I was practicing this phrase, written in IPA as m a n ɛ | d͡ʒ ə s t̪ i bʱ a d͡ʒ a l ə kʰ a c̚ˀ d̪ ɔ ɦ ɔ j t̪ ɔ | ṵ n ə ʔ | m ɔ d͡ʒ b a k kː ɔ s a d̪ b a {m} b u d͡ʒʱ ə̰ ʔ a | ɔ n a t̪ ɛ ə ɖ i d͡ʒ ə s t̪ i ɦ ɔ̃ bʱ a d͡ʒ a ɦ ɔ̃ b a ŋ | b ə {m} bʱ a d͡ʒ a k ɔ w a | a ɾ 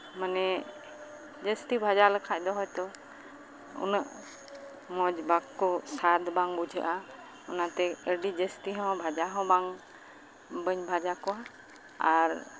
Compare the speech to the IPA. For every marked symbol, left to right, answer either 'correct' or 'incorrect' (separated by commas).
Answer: incorrect, incorrect